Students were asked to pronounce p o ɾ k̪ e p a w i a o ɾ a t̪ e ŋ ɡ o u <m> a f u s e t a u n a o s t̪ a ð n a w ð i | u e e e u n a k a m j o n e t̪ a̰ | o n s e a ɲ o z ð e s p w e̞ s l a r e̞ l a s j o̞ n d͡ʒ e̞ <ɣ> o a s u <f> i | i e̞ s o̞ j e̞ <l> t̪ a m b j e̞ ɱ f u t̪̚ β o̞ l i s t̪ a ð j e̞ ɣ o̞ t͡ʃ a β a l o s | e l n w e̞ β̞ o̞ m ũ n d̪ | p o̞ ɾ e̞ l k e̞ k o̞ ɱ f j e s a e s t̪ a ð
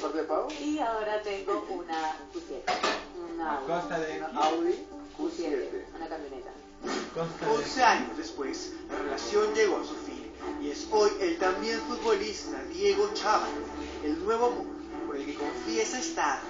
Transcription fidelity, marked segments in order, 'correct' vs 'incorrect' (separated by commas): incorrect, correct, correct, correct